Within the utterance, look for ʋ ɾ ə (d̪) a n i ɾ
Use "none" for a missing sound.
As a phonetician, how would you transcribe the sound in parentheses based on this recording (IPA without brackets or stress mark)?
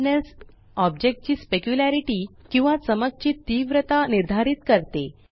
t̪